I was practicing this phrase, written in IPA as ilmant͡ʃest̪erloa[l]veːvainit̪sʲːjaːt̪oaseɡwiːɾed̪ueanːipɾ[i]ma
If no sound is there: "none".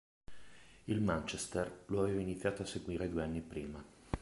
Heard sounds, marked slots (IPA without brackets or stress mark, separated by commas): none, iː